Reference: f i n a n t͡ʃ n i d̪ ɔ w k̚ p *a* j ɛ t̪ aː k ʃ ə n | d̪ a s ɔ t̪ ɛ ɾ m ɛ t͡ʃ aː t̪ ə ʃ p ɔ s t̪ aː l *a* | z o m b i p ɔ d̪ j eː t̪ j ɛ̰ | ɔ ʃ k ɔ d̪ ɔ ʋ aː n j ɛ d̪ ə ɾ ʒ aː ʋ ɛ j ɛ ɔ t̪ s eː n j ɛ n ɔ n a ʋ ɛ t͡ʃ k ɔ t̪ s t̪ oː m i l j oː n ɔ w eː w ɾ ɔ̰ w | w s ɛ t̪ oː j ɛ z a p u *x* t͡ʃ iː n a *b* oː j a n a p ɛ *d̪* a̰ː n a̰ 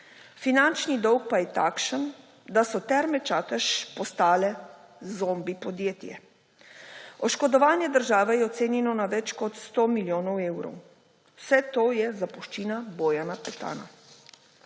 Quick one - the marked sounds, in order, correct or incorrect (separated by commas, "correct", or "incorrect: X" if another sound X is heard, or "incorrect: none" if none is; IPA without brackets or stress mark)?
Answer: correct, incorrect: ɛ, incorrect: ʃ, correct, incorrect: t̪